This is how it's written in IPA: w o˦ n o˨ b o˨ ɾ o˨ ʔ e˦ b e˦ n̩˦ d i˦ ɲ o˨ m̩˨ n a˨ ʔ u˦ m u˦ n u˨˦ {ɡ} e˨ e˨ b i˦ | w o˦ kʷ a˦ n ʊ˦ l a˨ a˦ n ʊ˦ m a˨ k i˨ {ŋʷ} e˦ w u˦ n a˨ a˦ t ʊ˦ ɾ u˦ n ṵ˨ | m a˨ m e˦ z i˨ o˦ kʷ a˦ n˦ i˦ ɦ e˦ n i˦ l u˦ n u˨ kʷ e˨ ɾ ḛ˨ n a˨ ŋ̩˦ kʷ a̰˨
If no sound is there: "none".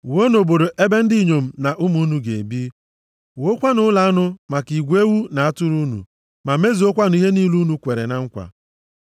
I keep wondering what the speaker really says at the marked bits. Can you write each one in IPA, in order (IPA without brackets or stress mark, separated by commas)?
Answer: ɡ, ɡʷ